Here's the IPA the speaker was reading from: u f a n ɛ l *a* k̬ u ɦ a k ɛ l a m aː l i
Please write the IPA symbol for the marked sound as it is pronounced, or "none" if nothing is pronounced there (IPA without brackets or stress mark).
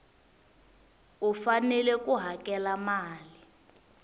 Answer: ɛ